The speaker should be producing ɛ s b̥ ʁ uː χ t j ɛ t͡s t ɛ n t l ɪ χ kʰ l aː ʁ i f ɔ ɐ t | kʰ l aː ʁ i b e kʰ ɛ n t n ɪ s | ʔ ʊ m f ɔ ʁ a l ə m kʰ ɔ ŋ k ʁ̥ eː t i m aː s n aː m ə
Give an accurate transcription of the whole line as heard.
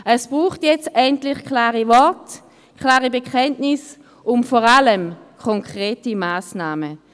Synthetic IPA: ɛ s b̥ ʁ uː χ t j ɛ t͡s t ɛ n t l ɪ χ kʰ l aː ʁ i v ɔ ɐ t | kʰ l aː ʁ i b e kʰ ɛ n t n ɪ s | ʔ ʊ m f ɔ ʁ a l ə m kʰ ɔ ŋ k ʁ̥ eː t i m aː s n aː m ə